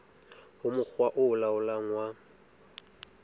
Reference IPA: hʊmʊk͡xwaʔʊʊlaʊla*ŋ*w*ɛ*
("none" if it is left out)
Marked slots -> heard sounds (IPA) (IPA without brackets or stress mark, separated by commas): ŋ, a